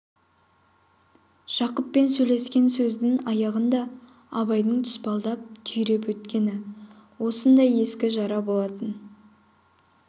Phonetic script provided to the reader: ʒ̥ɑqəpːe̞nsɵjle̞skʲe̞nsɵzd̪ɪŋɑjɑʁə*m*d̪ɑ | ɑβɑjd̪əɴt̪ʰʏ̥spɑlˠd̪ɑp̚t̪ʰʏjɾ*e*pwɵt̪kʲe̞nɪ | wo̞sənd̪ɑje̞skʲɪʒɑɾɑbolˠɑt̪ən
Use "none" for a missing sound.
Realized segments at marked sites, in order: n, e

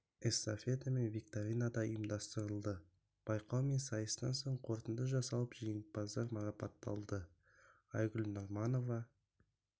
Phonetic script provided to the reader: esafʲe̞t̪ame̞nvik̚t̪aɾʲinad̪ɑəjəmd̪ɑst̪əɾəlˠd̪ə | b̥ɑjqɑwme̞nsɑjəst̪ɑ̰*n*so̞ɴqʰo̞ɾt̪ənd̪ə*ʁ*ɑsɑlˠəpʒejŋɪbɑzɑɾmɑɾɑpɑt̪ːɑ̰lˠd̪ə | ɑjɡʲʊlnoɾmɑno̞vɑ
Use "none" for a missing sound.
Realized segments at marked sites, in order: n, ʒ

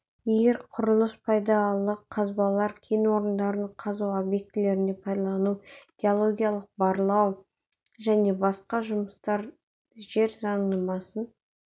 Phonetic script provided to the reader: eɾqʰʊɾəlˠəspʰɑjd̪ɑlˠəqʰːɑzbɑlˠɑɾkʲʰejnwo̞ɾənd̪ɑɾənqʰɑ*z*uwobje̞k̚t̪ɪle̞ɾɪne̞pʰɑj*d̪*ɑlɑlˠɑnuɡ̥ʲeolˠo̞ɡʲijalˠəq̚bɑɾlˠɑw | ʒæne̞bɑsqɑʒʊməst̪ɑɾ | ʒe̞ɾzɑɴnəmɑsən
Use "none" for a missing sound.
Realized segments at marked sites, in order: z, d̪

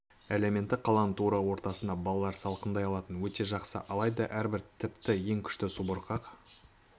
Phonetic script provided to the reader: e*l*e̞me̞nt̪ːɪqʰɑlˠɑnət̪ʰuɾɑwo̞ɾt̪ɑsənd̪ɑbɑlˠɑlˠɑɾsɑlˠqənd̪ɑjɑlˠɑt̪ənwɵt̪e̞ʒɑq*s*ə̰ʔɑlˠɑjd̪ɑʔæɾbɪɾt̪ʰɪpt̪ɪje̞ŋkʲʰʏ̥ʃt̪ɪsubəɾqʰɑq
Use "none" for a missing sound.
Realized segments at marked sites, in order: l, s

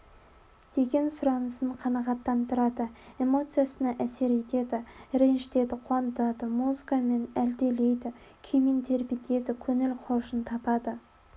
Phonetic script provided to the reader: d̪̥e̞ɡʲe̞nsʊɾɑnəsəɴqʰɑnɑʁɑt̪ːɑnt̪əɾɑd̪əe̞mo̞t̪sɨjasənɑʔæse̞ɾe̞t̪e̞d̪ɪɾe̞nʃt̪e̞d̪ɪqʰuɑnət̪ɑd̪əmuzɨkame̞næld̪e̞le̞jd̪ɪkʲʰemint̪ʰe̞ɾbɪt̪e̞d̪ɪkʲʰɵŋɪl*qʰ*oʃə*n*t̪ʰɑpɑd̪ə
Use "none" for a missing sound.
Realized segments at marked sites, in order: qʰ, n

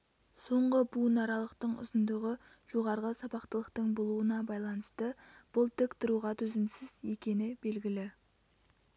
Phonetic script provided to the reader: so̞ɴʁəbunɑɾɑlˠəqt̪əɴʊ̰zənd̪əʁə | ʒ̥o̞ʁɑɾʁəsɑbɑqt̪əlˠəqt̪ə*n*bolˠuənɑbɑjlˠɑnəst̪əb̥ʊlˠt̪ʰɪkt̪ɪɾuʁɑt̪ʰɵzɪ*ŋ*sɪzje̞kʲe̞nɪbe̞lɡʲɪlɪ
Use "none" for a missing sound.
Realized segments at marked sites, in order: ɴ, m

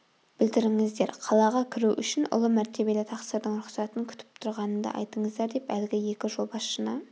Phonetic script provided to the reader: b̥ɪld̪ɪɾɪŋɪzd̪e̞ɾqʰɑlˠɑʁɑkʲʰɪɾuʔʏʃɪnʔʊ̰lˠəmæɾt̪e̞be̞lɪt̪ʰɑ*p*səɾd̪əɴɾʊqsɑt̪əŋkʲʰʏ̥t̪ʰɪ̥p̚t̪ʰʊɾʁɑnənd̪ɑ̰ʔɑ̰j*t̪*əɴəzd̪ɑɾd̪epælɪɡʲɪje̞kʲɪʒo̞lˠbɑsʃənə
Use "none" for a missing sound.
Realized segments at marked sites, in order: q, t̪

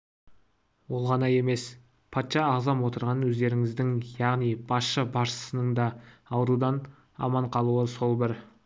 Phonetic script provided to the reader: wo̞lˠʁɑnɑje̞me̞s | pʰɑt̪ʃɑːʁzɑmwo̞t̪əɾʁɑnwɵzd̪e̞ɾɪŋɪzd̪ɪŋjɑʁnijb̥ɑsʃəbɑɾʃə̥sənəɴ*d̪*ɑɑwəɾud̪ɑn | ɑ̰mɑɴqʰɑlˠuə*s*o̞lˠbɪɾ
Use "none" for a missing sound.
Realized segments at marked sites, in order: d̪, s

